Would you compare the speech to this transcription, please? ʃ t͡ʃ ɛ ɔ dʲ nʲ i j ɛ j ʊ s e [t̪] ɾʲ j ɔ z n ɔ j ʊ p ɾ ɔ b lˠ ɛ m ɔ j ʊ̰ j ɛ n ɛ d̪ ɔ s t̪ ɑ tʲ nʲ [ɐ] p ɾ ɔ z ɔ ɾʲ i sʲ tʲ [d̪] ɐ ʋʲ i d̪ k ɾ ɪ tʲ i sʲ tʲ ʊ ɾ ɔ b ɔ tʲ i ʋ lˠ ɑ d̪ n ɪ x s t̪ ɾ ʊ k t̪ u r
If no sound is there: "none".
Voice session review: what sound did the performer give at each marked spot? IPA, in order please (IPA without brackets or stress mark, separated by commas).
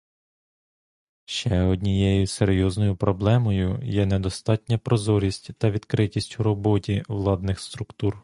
none, ɐ, t̪